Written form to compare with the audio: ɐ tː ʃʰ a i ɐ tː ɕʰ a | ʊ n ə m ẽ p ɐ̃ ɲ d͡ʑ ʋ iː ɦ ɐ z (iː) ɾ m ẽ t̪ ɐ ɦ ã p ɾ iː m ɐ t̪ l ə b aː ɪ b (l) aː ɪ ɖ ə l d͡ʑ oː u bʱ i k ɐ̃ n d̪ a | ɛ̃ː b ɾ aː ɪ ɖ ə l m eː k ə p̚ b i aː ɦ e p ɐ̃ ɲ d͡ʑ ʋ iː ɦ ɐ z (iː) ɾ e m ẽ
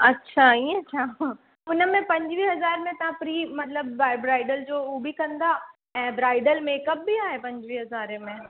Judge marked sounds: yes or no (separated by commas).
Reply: no, no, no